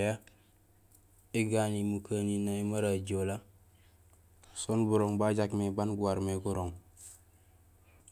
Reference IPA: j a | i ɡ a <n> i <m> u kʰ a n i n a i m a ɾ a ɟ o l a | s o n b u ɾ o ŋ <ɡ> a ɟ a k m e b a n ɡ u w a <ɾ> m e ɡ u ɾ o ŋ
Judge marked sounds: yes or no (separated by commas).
yes, yes, no, yes